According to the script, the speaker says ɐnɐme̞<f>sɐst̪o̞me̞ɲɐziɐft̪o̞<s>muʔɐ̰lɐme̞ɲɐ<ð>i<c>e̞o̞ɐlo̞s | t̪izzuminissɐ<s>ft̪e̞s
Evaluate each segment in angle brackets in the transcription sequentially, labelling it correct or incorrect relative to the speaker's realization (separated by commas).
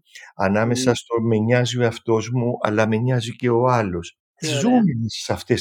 incorrect, incorrect, incorrect, correct, incorrect